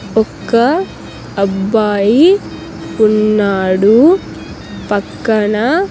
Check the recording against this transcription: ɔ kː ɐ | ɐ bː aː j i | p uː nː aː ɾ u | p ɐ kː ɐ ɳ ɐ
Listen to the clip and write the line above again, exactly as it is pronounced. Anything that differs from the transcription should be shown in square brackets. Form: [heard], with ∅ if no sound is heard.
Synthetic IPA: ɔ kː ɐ | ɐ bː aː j i | p [u] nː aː [ɽ] u | p ɐ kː ɐ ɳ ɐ